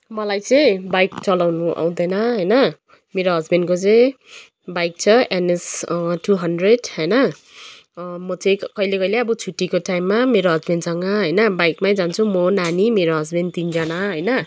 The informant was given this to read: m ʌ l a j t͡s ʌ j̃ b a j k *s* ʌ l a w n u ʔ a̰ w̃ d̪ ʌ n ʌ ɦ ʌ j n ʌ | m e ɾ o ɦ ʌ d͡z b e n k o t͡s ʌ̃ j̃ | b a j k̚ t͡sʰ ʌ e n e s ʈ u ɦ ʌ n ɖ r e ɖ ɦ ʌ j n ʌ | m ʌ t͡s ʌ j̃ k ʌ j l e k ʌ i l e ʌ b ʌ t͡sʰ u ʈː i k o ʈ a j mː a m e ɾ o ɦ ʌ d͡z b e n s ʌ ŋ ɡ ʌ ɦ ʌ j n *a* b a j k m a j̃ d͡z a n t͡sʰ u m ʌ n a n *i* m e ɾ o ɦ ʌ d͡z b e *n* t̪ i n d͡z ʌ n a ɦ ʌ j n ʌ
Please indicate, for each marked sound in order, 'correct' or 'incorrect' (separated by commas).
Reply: incorrect, incorrect, correct, correct